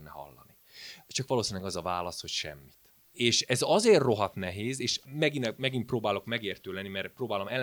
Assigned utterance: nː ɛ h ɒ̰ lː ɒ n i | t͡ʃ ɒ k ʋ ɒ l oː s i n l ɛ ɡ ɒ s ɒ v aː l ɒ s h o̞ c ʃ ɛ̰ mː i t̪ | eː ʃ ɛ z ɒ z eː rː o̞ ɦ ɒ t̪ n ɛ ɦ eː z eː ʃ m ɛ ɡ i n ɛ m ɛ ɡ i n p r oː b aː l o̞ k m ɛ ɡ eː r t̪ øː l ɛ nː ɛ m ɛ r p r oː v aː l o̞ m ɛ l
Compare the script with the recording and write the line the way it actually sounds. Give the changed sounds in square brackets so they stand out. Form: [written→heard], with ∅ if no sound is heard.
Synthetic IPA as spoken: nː ɛ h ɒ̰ lː ɒ n i | t͡ʃ ɒ k ʋ ɒ l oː s i n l ɛ ɡ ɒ [s→z] ɒ v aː l ɒ s h o̞ c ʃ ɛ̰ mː i t̪ | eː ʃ ɛ z ɒ z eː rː o̞ ɦ ɒ t̪ n ɛ ɦ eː z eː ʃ m ɛ ɡ i n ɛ m ɛ ɡ i n p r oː b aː l o̞ k m ɛ ɡ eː r t̪ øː l ɛ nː [ɛ→i] m ɛ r p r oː [v→b] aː l o̞ m ɛ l